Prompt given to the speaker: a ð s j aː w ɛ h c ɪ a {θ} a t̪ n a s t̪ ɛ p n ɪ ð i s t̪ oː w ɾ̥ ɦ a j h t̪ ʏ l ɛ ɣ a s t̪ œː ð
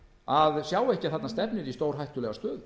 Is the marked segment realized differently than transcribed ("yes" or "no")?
no